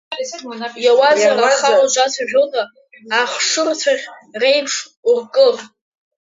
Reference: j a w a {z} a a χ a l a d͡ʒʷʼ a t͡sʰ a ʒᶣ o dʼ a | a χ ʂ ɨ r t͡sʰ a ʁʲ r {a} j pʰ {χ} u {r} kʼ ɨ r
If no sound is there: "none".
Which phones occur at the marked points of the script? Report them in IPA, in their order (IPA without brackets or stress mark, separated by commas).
z, e, ʂ, r